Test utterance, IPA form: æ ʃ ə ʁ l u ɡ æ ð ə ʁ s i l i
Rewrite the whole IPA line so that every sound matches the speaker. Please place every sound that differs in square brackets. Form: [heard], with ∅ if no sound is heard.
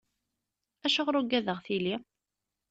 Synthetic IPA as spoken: æ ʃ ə ʁ [ɾ] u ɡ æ ð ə ʁ [θ] i l i